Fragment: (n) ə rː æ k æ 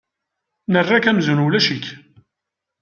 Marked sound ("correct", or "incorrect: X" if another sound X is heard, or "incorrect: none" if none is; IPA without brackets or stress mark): correct